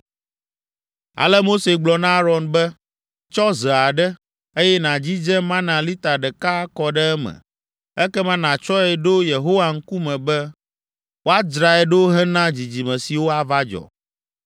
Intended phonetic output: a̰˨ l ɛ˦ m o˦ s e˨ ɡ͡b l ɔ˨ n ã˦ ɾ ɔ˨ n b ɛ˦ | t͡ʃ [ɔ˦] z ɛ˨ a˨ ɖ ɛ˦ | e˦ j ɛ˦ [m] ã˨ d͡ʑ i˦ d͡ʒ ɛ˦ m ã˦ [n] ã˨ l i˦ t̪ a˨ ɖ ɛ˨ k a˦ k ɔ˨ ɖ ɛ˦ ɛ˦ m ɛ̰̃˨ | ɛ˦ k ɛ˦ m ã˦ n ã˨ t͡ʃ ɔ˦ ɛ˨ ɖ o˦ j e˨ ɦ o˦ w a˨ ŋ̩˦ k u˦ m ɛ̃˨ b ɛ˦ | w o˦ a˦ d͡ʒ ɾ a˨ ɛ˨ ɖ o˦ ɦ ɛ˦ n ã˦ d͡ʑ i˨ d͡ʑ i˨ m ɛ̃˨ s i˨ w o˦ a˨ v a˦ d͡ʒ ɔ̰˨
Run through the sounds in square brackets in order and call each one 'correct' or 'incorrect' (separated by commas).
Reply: correct, incorrect, correct